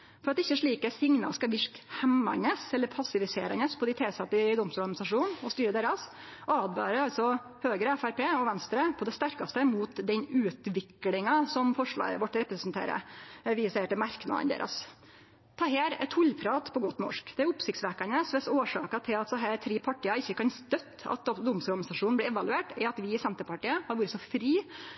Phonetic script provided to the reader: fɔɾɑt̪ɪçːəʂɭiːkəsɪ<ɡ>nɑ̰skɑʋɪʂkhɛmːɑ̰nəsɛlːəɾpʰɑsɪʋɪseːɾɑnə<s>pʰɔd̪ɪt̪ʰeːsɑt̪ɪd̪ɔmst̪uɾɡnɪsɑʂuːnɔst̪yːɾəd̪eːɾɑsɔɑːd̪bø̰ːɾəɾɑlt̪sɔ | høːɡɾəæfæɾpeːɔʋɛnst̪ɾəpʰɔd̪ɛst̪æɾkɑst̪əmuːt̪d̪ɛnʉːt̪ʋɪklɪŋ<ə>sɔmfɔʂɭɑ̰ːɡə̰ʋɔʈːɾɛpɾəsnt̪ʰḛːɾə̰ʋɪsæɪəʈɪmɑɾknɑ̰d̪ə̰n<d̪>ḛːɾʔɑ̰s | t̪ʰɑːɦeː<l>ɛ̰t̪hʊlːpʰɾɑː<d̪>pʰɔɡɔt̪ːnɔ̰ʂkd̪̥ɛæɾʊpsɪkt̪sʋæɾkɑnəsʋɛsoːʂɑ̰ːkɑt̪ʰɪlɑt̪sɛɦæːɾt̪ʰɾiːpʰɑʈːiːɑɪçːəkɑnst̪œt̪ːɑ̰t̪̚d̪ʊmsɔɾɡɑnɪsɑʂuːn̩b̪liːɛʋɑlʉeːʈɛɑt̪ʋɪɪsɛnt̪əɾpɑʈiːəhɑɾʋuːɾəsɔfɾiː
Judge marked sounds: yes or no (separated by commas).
no, yes, no, yes, no, no